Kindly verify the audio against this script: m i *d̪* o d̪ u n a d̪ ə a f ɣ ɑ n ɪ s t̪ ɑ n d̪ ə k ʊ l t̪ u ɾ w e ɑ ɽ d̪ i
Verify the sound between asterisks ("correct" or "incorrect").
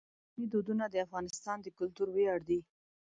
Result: correct